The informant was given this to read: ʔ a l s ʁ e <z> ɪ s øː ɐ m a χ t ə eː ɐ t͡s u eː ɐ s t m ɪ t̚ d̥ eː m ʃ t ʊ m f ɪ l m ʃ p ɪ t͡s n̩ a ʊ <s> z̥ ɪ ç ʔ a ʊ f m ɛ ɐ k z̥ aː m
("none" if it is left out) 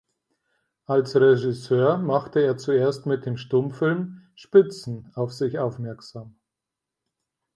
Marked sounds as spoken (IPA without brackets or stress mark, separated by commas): ʒ, f